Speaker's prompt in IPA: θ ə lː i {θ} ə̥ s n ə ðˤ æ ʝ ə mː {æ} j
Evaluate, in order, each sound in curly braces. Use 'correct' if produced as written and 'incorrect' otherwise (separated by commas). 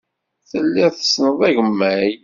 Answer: correct, correct